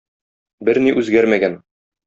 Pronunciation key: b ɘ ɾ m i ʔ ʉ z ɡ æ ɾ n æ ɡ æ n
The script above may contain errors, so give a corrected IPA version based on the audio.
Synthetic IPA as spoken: b ɘ ɾ n i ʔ ʉ z ɡ æ ɾ m æ ɡ æ n